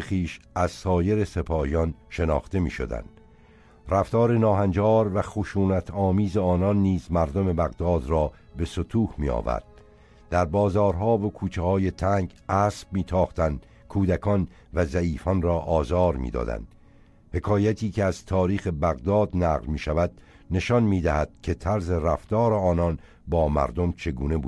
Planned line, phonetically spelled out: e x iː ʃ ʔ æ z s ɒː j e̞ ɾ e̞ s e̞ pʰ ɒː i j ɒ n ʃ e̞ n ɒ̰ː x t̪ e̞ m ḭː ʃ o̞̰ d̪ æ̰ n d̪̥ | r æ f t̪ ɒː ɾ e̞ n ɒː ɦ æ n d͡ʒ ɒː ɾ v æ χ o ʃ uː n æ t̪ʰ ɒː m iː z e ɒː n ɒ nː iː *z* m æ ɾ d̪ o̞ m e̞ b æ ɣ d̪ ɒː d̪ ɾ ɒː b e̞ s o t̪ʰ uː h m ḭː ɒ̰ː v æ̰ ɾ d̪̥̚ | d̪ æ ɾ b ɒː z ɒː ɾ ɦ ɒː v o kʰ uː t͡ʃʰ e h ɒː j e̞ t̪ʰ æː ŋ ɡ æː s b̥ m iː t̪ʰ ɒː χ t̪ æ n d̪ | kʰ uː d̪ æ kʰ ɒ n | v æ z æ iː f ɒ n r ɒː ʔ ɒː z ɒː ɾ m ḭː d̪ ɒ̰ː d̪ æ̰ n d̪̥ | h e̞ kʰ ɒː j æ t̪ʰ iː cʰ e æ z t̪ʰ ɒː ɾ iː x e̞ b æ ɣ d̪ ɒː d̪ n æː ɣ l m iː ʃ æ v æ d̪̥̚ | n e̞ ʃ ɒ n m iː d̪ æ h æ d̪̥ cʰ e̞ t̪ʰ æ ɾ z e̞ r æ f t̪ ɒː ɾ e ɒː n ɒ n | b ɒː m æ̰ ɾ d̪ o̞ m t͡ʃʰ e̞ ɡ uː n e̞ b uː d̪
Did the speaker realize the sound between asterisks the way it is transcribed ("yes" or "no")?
yes